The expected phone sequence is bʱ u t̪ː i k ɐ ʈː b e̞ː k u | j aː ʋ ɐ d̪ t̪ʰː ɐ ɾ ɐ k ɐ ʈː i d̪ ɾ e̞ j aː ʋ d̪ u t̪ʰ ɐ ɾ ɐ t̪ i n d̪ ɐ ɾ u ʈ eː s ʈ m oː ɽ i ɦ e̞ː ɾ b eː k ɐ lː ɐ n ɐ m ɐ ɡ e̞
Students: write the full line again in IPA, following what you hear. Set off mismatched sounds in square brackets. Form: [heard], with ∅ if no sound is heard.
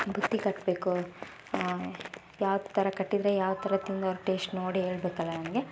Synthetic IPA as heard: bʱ u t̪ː i k ɐ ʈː b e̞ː k u | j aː ʋ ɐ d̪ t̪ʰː ɐ ɾ ɐ k ɐ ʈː i d̪ ɾ e̞ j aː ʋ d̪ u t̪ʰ ɐ ɾ ɐ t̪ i n d̪ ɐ ɾ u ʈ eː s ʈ [n] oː ɽ i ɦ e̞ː [ɭ] b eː k ɐ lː ɐ n ɐ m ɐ ɡ e̞